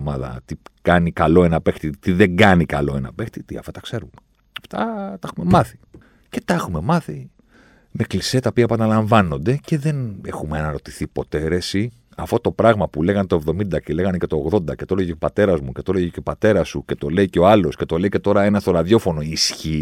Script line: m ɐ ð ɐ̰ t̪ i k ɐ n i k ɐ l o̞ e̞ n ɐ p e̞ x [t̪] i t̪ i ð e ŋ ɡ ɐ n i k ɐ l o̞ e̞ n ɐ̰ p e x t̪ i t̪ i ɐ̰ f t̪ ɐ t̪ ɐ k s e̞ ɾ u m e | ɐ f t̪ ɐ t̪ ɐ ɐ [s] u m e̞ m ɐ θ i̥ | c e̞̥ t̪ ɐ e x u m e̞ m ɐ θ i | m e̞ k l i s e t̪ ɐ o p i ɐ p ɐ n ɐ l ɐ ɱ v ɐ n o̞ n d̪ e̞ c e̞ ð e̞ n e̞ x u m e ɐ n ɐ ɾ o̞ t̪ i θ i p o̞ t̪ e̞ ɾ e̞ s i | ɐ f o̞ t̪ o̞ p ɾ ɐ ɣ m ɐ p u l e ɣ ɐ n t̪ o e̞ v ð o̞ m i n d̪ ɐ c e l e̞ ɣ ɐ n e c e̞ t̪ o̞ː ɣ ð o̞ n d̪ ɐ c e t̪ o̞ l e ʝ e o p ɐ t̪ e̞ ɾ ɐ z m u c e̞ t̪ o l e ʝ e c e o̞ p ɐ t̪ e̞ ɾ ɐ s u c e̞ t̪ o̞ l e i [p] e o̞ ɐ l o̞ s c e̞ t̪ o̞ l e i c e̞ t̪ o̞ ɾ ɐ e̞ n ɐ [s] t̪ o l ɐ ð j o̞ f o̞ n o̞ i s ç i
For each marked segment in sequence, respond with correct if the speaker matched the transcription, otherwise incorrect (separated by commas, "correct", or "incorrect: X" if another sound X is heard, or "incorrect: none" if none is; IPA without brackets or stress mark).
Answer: correct, incorrect: x, incorrect: c, correct